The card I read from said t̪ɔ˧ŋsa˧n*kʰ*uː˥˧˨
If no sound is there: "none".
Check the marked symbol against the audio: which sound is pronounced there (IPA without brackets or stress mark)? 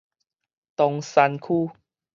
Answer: kʰ